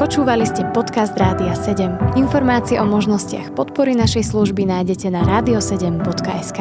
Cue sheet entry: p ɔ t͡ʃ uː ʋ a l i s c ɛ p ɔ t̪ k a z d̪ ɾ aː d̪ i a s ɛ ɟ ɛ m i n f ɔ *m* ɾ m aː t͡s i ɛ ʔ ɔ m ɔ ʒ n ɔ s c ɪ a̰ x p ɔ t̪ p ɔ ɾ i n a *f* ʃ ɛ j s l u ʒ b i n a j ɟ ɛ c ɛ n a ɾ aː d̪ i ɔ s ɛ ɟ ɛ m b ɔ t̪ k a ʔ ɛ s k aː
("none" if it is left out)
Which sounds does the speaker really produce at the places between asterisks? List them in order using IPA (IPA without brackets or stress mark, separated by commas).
none, none